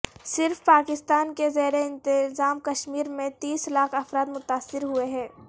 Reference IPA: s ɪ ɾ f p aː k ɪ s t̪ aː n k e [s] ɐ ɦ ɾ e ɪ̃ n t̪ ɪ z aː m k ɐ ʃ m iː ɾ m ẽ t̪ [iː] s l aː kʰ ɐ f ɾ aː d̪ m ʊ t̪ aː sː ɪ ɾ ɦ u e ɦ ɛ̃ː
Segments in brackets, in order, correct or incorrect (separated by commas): incorrect, correct